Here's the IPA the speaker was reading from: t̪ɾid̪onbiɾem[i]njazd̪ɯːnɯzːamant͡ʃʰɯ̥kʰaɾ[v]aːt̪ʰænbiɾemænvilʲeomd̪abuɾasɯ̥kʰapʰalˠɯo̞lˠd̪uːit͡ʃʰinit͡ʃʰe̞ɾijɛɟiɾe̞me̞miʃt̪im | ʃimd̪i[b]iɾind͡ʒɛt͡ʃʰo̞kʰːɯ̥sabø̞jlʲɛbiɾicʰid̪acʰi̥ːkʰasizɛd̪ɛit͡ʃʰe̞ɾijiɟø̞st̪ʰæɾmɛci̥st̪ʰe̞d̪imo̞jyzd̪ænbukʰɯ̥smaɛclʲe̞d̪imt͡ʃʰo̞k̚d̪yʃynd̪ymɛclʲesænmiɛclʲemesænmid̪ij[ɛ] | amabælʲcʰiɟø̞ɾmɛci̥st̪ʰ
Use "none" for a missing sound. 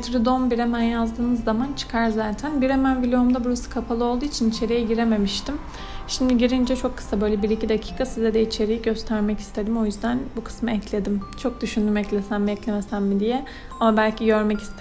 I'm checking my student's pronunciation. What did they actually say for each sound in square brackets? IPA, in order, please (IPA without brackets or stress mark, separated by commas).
æ, z, ɟ, ɛ